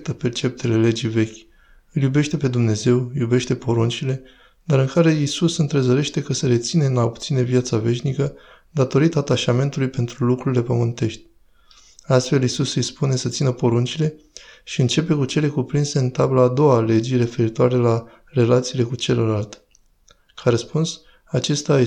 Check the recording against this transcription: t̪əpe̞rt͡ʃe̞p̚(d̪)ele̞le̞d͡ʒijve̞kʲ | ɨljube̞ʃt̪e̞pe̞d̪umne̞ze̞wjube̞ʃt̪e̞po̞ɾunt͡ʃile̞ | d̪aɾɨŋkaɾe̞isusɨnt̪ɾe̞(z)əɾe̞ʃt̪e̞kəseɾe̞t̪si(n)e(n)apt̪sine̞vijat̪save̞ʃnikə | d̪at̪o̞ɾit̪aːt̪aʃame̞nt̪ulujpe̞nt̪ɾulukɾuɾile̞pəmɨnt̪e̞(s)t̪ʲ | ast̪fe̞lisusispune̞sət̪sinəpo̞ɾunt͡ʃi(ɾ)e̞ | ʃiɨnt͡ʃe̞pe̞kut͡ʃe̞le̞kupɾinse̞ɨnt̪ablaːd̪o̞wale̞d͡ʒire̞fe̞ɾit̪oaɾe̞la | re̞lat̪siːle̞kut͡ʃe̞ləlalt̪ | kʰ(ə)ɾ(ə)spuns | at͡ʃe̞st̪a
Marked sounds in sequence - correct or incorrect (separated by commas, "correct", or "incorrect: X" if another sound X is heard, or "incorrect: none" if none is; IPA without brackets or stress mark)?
incorrect: t̪, correct, correct, correct, incorrect: ʃ, incorrect: l, incorrect: a, correct